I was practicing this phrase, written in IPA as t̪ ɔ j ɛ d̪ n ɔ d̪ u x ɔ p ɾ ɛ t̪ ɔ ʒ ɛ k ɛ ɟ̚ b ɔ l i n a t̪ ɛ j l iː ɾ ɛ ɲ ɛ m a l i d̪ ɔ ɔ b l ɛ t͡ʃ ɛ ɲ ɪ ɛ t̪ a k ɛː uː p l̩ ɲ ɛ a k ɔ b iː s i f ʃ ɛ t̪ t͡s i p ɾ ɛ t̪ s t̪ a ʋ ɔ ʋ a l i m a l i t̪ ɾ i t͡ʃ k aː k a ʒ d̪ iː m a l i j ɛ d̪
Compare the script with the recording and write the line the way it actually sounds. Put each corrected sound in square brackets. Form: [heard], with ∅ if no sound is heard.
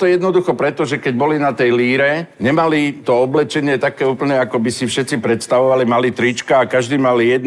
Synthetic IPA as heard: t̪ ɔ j ɛ d̪ n ɔ d̪ u x ɔ p ɾ ɛ t̪ ɔ ʒ ɛ k ɛ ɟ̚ b ɔ l i n a t̪ ɛ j l iː ɾ ɛ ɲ ɛ m a l i [t̪] ɔ ɔ b l ɛ t͡ʃ ɛ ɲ ɪ ɛ t̪ a k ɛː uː p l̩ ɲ ɛ a k ɔ b [i] s i f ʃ ɛ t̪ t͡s i p ɾ ɛ t̪ s t̪ a ʋ ɔ ʋ a l i m a l i t̪ ɾ i t͡ʃ k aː k a ʒ d̪ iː m a l i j ɛ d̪